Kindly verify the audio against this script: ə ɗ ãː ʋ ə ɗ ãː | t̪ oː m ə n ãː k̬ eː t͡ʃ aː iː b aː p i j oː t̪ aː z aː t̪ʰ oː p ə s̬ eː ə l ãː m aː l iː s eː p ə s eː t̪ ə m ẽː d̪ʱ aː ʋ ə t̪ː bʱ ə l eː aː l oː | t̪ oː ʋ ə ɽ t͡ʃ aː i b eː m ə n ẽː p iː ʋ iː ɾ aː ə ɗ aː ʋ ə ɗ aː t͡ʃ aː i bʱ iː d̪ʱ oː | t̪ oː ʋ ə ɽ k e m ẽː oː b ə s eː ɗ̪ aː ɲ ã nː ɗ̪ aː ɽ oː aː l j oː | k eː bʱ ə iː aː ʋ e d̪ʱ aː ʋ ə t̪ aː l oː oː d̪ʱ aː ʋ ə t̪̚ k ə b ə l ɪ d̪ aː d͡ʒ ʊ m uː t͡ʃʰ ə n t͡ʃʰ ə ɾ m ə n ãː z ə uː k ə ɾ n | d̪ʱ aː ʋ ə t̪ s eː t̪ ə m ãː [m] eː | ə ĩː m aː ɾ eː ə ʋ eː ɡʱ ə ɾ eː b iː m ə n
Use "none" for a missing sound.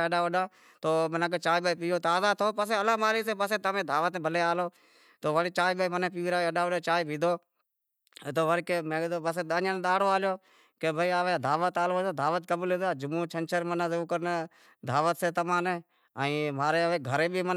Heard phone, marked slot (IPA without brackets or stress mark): n